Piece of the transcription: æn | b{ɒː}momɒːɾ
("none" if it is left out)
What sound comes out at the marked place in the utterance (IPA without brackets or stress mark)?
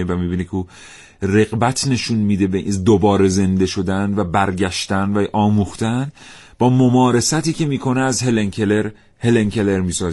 ɒː